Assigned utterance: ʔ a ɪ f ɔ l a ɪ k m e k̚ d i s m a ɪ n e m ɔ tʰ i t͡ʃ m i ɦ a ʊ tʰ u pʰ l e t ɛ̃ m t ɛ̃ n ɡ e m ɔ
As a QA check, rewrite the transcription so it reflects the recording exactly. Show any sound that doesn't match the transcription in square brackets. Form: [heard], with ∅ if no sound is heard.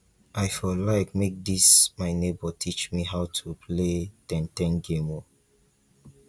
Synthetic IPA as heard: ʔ a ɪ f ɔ l a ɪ k m e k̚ d i s m a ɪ n e [b] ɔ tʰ i t͡ʃ m i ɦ a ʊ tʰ u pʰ l e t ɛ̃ [n] t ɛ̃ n ɡ e m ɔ